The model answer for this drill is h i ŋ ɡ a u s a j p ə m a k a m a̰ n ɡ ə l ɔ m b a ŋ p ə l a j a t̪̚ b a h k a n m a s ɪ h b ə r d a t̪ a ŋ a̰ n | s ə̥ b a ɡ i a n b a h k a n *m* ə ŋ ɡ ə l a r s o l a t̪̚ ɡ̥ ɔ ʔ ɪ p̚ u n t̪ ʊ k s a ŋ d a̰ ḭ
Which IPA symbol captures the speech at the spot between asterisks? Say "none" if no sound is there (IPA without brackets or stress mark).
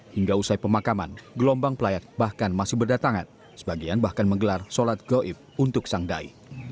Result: m